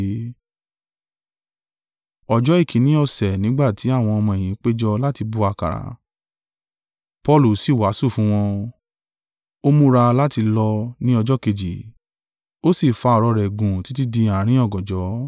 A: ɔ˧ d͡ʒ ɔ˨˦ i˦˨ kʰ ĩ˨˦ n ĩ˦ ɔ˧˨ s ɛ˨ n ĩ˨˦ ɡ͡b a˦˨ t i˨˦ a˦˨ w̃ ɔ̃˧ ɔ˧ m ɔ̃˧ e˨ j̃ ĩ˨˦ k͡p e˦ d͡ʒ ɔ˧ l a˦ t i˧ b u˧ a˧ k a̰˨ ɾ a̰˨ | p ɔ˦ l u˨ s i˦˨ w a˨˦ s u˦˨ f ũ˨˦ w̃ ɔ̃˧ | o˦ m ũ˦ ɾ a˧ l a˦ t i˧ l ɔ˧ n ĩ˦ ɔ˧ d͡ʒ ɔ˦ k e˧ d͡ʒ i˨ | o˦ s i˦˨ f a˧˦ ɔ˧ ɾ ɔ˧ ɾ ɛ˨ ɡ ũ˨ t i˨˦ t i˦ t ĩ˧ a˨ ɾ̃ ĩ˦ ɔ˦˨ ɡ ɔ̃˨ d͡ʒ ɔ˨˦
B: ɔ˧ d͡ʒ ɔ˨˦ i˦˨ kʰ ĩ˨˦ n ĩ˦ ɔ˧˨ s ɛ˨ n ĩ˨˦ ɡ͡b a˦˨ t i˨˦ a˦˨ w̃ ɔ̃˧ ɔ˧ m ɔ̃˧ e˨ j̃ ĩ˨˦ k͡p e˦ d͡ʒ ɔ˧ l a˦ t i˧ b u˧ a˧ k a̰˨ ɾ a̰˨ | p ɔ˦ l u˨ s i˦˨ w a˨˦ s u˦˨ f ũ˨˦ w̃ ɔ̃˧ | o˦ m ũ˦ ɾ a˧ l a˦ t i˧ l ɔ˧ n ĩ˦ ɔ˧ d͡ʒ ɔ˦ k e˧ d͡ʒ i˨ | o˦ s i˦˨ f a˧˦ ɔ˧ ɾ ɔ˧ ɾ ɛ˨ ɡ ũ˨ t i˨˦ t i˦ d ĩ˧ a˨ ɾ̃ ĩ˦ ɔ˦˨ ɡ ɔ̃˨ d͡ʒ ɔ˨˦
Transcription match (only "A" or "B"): B